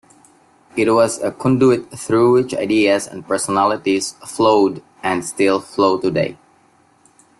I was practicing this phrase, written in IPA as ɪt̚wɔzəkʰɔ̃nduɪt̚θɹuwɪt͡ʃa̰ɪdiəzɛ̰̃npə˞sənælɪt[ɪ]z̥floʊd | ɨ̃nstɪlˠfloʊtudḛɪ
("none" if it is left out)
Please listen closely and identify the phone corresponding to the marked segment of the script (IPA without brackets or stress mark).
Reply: i